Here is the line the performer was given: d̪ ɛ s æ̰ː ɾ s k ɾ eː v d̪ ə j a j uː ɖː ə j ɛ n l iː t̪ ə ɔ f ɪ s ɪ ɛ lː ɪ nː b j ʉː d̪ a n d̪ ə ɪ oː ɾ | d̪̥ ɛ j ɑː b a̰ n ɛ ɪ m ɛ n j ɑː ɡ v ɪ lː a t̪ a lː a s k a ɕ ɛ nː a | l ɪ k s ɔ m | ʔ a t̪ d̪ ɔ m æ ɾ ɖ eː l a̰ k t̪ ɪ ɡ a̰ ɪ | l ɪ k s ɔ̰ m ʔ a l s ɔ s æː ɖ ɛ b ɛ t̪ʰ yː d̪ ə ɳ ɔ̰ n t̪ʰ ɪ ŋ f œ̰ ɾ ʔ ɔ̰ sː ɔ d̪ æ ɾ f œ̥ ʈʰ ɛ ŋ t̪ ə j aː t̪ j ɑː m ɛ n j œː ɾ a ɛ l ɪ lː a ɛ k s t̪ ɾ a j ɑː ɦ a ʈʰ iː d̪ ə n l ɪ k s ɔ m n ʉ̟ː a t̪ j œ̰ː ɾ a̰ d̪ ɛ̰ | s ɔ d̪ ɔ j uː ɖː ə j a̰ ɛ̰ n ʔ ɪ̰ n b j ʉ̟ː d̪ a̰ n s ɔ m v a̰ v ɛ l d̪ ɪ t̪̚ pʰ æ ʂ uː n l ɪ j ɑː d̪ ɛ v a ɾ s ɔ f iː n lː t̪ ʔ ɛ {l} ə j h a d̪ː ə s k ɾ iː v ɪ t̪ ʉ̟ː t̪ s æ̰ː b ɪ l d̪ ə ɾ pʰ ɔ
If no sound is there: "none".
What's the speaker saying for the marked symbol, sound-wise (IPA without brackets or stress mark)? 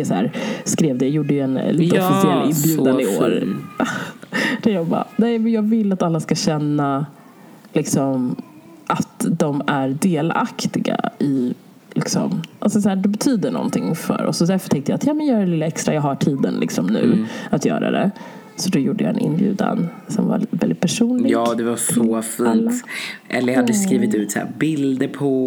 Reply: lː